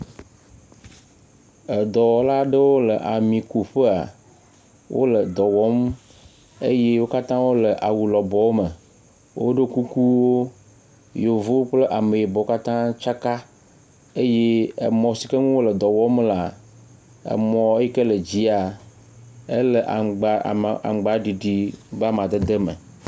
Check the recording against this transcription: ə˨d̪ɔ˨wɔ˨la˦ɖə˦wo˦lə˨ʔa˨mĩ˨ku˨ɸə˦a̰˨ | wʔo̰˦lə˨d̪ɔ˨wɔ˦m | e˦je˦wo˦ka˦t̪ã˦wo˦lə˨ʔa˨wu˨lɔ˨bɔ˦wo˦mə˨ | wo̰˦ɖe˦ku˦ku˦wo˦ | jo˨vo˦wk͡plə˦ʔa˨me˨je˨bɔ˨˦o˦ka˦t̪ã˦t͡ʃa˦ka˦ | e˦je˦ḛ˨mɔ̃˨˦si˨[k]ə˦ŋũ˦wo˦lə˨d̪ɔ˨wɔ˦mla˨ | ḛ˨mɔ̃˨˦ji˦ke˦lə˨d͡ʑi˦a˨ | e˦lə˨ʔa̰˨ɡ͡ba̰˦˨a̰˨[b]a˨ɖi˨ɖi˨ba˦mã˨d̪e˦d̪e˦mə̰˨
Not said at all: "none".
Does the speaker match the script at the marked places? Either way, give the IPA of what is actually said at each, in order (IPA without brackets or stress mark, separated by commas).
k, ɡ͡b